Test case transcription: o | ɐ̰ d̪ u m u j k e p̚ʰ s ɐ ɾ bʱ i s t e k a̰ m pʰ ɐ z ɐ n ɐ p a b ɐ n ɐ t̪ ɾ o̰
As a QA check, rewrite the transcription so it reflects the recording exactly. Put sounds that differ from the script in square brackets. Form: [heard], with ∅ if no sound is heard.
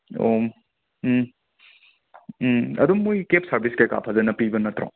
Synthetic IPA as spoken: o | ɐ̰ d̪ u m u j k e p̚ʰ s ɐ ɾ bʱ i s [k] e k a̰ [∅] pʰ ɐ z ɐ n ɐ p [i] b ɐ n ɐ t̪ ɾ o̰